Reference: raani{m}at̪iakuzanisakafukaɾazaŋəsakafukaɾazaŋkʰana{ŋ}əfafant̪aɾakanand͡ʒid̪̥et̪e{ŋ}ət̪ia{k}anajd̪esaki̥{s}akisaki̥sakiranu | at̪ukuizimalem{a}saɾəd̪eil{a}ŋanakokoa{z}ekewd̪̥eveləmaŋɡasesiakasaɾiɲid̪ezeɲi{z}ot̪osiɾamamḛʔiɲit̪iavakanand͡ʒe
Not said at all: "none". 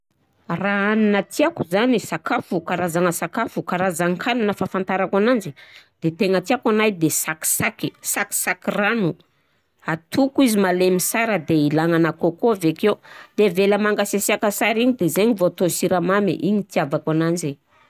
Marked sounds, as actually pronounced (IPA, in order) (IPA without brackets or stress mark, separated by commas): n, n, ŋ, k, s, i, a, v, v